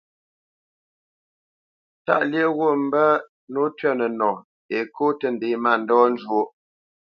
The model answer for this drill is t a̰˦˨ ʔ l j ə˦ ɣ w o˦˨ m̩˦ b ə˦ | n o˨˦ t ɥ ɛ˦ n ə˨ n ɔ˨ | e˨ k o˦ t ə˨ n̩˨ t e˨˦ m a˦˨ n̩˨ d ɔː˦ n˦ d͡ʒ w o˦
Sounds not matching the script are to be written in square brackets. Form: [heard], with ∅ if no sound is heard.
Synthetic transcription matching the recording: t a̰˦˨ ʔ l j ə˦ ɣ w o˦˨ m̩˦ b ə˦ | n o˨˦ t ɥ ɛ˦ n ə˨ n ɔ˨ | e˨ k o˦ t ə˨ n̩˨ [d] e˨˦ m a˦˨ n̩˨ d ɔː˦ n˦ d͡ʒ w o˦

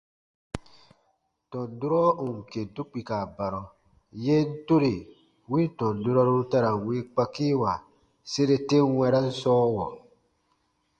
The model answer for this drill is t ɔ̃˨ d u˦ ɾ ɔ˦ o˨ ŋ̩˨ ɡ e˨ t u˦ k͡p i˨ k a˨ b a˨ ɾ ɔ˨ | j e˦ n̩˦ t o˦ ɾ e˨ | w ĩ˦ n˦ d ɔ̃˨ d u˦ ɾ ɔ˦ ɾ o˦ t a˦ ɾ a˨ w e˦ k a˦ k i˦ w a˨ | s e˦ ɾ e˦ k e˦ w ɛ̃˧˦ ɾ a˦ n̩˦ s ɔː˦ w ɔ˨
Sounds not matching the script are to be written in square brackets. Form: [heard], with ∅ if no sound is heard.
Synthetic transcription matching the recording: t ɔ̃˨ d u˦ ɾ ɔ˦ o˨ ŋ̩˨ [k] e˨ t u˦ k͡p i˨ k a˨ b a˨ ɾ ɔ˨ | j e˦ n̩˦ t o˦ ɾ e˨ | w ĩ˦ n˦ [t] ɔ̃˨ d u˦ ɾ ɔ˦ ɾ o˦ t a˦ ɾ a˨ w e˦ [k͡p] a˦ k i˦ w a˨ | s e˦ ɾ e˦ [t] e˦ w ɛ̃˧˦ ɾ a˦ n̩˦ s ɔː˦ w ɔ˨

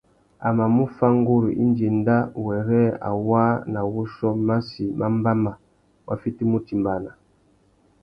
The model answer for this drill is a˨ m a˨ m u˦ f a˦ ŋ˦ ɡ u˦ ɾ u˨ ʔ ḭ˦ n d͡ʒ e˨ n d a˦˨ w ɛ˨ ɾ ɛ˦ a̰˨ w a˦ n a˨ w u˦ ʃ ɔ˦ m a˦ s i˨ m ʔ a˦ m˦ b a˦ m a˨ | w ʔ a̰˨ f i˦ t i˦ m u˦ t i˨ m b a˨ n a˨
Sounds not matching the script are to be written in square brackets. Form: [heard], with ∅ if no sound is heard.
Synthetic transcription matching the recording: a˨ m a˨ m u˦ f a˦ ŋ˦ ɡ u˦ ɾ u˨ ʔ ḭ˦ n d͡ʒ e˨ n d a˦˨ w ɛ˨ ɾ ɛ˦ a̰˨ w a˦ n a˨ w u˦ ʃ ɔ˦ m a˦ s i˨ m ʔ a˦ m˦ b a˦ m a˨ | w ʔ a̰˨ f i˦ t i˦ m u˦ t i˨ m b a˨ n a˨

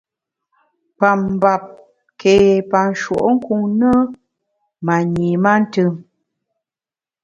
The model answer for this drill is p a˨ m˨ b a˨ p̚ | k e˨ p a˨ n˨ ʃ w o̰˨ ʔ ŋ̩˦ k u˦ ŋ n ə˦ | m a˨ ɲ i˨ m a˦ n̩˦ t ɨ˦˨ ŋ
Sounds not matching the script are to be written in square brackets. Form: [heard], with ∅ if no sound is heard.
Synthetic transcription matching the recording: p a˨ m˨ b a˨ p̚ | k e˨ p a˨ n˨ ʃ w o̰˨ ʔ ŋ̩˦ k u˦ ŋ n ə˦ | m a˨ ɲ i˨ m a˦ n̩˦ t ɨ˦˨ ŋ

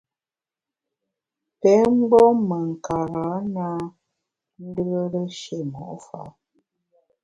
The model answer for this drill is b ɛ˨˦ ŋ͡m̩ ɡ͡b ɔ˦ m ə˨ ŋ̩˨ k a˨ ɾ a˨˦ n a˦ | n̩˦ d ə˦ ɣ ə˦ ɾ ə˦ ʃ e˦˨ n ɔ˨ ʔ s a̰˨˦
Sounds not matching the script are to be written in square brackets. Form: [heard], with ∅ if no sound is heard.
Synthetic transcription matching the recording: [p] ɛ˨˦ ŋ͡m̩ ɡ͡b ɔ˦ m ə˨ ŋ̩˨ k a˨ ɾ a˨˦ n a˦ | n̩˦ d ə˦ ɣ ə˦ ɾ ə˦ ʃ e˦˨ [m] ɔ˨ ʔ [f] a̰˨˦

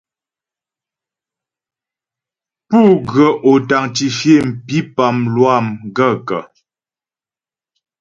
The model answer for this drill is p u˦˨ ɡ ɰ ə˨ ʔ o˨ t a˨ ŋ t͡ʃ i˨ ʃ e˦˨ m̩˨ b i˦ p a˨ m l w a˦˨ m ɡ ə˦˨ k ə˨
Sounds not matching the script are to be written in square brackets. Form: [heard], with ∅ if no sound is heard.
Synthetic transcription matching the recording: p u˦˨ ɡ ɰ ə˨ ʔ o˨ t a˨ ŋ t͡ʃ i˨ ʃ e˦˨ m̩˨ [p] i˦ p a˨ m l w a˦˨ m ɡ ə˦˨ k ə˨

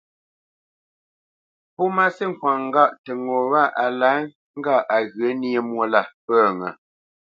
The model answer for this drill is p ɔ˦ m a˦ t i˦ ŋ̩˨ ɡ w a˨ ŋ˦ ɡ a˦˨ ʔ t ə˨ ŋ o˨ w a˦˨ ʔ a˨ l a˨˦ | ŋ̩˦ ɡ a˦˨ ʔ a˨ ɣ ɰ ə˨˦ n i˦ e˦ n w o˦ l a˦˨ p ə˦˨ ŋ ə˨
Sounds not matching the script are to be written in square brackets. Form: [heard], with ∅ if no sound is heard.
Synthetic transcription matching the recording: p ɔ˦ m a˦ [s] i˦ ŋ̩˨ [k] w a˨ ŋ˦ ɡ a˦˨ ʔ t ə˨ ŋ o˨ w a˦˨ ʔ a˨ l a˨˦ | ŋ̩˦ ɡ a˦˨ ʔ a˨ ɣ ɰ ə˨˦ n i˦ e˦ [m] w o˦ l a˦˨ p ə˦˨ ŋ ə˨

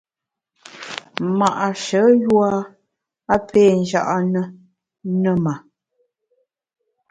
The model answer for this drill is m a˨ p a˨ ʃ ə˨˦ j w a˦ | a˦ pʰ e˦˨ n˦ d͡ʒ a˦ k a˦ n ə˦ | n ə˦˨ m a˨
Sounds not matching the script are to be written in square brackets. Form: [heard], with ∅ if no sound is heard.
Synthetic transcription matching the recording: m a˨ [ʔ] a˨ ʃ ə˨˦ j w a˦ | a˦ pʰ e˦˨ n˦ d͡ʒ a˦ [ʔ] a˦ n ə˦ | n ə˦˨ m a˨

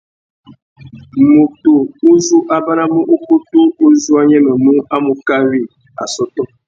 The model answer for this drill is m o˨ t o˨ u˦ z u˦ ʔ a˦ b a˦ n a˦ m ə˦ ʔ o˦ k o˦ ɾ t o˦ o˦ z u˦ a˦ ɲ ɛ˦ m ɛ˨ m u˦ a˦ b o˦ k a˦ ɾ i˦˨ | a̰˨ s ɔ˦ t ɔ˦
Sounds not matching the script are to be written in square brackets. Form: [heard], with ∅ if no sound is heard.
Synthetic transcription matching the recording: m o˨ t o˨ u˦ z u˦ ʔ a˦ b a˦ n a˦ m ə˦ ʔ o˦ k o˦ [∅] t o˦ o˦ z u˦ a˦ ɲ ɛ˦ m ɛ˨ m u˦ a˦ [m] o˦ k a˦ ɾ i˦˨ | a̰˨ s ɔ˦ t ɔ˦

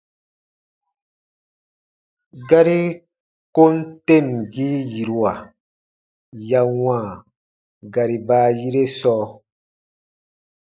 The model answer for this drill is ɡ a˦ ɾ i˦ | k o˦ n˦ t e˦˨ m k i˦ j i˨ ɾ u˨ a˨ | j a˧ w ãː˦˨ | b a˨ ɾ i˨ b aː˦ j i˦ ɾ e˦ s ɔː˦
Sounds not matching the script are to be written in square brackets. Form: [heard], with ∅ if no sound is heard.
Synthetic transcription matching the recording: ɡ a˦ ɾ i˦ | k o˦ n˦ t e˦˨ m [ɡ] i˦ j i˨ ɾ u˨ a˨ | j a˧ w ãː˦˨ | [ɡ] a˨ ɾ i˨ b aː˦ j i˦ ɾ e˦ s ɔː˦

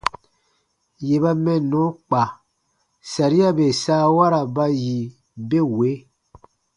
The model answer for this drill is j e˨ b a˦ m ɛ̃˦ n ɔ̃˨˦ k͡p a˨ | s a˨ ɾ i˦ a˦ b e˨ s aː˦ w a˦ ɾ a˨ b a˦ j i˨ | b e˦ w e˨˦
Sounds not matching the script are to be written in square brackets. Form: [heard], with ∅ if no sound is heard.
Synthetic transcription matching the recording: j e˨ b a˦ m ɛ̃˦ n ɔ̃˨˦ k͡p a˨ | s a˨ ɾ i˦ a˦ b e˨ s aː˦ w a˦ ɾ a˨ b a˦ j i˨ | b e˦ w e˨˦

